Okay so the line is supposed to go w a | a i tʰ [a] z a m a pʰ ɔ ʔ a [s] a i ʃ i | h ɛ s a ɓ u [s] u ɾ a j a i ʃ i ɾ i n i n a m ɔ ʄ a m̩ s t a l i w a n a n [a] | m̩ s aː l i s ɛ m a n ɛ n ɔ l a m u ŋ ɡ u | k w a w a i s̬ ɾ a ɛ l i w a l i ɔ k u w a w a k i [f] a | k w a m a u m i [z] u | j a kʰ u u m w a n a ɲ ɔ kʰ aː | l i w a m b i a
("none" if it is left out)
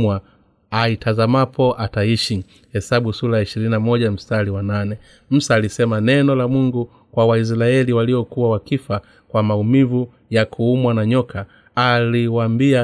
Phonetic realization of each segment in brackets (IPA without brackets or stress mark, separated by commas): a, t, s, ɛ, f, v